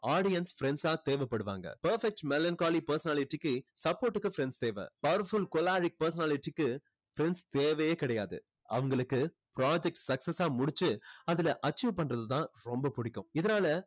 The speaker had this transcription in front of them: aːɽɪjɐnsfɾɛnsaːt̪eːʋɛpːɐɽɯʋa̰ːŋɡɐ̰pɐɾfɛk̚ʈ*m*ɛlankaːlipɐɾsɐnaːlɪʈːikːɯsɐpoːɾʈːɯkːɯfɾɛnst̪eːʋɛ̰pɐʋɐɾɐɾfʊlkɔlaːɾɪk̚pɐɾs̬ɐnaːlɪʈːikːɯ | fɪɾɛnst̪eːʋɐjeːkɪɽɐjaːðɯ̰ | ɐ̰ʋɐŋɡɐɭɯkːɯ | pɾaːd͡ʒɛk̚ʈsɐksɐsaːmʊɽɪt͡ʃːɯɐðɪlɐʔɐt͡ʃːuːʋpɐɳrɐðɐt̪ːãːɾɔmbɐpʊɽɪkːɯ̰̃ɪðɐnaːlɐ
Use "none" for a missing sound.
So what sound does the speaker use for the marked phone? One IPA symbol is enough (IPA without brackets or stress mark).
m